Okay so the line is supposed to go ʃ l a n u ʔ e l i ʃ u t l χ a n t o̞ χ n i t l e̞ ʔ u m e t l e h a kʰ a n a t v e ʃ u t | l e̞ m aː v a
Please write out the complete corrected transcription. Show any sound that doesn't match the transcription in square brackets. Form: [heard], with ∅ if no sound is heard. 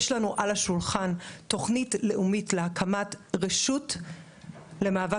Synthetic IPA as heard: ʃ l a n u ʔ [a] l [a] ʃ u [∅] l χ a n t o̞ χ n i t l e̞ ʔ u m [i] t l e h a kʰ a [m] a t [ʁ] e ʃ u t | l e̞ m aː v a

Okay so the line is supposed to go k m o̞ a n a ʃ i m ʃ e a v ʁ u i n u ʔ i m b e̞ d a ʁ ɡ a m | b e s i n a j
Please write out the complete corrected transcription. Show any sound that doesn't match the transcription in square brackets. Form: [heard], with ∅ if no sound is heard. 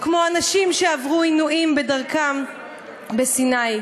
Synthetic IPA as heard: k m o̞ a n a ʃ i m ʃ e a v ʁ u i n u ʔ i m b e̞ d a ʁ [k] a m | b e s i n a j

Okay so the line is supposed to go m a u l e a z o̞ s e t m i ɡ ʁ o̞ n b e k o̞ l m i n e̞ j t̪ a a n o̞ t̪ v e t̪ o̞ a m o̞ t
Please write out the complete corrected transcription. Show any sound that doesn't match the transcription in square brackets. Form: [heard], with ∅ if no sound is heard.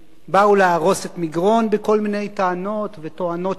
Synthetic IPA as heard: [b] a u l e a [ʁ] o̞ s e t m i ɡ ʁ o̞ n b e k o̞ l m i n e̞ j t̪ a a n o̞ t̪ v e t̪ o̞ a [n] o̞ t

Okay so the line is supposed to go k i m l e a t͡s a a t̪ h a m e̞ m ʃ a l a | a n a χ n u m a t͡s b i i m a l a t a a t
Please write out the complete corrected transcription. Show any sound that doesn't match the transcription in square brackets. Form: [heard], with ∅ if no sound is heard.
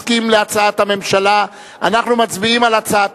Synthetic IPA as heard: k i m l e a t͡s a a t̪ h a m e̞ m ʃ a l a | a n a χ n u m a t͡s b i i m a l a [t͡s] a a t

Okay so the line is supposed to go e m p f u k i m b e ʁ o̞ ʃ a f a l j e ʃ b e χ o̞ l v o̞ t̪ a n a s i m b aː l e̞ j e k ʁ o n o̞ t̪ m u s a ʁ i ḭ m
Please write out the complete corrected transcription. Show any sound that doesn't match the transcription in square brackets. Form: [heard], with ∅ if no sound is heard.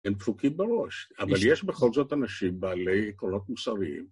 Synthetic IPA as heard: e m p f u k i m b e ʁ o̞ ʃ a [v] a l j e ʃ b e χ o̞ l [z] o̞ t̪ a n a [ʃ] i m b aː l e̞ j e k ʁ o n o̞ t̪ m u s a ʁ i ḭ m

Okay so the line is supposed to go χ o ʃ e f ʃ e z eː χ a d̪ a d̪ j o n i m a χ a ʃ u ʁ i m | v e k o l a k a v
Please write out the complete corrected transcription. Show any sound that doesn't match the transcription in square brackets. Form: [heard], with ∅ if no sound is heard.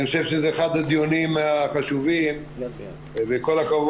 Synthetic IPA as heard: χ o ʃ e [v] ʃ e z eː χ a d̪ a d̪ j o n i m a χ a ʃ u [v] i m | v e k o l a k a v

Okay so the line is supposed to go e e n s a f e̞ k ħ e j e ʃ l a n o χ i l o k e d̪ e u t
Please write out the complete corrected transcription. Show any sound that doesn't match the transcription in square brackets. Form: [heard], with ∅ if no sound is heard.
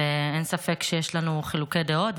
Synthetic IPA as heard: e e n s a f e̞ k [ʃ] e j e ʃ l a n [u] χ i l [u] k e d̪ e [o] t

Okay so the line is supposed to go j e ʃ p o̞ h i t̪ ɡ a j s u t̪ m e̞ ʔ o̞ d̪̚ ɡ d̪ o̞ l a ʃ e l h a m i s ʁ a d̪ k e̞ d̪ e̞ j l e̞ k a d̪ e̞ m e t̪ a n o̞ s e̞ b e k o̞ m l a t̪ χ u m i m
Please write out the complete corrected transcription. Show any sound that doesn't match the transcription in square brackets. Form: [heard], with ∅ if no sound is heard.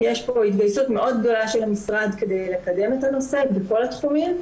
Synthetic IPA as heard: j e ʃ p o̞ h i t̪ ɡ a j s u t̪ m e̞ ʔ o̞ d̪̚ ɡ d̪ o̞ l a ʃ e l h a m i s ʁ a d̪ k e̞ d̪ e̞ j l e̞ k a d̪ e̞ m e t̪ a n o̞ s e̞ b e k o̞ [∅] l a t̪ χ u m i m

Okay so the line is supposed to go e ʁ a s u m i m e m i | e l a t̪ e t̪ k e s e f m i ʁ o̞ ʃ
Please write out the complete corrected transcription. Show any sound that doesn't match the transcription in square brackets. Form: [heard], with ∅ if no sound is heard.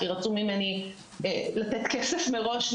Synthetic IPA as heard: [i] ʁ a [t͡s] u m i m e [n] i | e l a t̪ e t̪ k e s e f m [e] ʁ o̞ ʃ

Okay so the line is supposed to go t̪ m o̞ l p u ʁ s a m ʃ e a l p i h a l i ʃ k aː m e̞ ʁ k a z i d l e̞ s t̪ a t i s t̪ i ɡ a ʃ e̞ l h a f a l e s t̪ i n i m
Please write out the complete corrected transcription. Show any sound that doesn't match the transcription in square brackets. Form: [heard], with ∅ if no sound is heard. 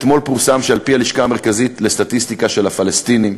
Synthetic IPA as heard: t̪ m o̞ l p u ʁ s a m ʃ e a l p i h a l i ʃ k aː m e̞ ʁ k a z i [t] l e̞ s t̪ a t i s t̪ i [k] a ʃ e̞ l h a f a l e s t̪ i n i m

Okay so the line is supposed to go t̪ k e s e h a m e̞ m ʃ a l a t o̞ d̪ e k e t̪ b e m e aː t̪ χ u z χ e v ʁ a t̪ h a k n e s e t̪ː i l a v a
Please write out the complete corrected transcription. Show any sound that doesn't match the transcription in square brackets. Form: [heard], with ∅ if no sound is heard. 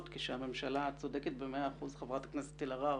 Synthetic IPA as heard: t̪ k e [ʃ] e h a m e̞ m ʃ a l a [t͡s] o̞ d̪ e k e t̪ b e m e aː [∅] χ u z χ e v ʁ a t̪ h a k n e s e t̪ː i l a [ʁ] a

